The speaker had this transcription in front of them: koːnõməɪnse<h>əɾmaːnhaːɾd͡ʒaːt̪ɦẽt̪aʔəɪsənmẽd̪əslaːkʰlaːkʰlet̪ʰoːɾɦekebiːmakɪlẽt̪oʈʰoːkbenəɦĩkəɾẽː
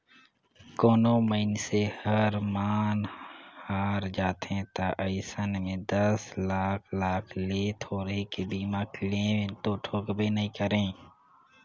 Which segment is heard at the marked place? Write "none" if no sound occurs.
h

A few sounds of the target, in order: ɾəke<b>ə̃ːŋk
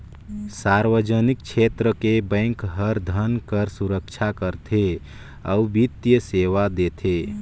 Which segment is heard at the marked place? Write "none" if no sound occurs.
b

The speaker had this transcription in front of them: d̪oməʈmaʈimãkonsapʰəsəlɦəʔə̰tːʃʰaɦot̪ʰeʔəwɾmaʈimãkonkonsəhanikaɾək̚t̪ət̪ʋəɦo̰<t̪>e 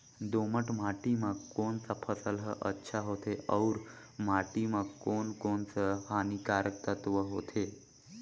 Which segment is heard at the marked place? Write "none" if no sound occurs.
t̪ʰ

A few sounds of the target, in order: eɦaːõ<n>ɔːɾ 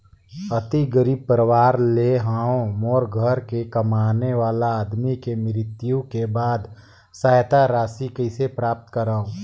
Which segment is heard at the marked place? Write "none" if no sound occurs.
m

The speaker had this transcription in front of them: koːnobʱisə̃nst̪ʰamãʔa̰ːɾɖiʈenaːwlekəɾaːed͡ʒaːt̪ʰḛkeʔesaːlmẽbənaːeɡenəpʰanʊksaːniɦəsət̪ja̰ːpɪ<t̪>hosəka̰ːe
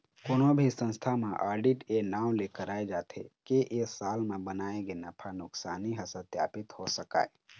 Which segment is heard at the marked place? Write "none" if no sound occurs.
t̪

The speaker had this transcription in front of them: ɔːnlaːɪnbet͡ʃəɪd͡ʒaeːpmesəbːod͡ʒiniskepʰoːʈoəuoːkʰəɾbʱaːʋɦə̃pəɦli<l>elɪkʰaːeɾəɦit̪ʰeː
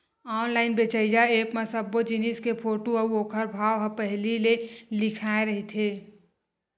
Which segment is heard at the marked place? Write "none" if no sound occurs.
l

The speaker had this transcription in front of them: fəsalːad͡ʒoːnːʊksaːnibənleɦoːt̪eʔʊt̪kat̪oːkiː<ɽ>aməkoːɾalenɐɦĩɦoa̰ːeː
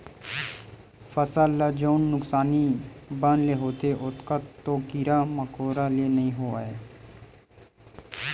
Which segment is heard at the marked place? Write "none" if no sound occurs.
ɾ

